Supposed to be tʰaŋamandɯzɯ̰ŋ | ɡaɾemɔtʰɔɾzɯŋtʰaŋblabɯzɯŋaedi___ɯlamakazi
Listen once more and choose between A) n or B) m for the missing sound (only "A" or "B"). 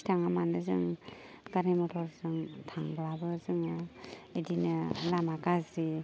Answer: A